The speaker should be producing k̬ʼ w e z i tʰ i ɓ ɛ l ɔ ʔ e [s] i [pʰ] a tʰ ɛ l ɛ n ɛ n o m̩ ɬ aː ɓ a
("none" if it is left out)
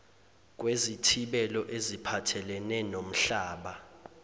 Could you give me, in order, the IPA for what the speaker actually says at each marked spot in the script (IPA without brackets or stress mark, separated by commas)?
z, pʰ